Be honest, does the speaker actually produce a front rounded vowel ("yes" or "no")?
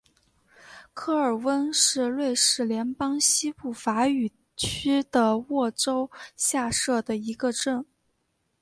yes